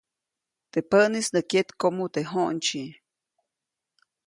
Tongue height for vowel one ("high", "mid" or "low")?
mid